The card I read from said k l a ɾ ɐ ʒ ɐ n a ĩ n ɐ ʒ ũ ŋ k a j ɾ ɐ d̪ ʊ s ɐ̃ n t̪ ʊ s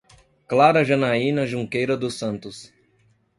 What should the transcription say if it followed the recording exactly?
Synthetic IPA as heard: k l a ɾ ɐ ʒ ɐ n a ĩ n ɐ ʒ ũ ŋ k e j ɾ ɐ d̪ ʊ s ɐ̃ n t̪ ʊ s